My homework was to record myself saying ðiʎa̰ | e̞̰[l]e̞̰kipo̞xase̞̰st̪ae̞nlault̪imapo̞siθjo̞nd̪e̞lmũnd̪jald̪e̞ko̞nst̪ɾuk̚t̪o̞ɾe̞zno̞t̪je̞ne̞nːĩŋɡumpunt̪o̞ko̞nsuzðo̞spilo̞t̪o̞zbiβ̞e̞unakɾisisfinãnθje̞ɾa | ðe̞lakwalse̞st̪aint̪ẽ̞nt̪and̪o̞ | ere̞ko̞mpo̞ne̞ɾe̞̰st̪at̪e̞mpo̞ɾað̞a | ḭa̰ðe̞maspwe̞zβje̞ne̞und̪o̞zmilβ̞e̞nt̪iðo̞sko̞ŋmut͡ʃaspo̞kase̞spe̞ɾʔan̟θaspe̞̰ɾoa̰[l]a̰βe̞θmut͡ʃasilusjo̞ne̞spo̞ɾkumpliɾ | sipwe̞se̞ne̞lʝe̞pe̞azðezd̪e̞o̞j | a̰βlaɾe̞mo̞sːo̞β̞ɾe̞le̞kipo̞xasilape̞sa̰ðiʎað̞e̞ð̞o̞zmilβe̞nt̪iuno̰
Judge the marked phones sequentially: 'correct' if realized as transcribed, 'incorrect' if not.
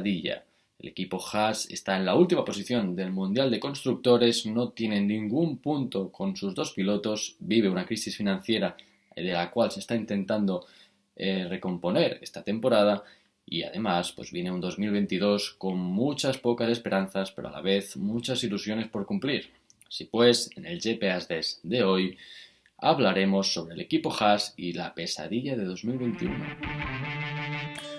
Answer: correct, correct

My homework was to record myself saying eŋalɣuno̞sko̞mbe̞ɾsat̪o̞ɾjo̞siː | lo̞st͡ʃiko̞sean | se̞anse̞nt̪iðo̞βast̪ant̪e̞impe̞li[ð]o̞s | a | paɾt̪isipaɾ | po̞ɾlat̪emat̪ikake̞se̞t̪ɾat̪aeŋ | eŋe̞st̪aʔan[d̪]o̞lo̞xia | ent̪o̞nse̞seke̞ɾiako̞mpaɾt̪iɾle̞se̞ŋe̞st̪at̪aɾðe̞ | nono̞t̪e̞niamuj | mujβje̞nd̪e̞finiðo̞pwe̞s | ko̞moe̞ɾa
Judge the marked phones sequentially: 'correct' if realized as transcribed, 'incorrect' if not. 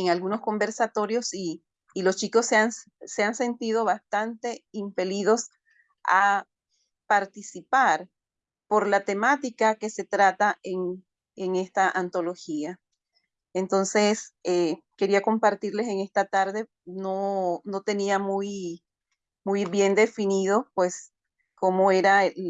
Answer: correct, incorrect: t̪

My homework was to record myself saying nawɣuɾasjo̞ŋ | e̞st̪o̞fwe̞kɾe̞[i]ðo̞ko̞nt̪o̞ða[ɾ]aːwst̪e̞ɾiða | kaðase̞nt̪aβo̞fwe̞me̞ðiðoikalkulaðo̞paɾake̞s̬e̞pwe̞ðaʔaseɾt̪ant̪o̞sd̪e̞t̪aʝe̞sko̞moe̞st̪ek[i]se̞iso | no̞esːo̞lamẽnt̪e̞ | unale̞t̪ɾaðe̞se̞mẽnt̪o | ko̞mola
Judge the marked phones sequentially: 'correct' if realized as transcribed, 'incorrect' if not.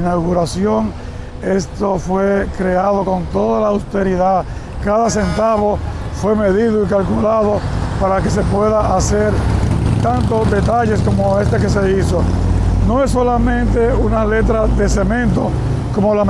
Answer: incorrect: a, incorrect: l, incorrect: e

